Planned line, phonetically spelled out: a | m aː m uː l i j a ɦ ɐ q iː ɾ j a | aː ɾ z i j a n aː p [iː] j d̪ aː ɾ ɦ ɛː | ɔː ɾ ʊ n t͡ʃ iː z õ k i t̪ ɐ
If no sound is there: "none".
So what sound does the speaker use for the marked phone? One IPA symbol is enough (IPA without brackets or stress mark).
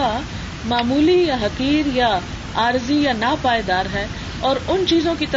aː